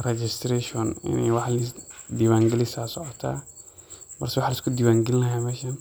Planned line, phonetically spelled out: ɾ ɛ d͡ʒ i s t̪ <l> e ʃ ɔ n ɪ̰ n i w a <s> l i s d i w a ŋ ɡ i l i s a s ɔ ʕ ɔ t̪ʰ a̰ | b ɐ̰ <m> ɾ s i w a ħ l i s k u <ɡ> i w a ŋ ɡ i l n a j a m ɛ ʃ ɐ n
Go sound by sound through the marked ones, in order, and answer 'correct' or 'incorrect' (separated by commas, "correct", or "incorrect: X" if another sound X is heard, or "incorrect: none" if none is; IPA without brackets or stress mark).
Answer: incorrect: ɾ, incorrect: ħ, incorrect: none, incorrect: d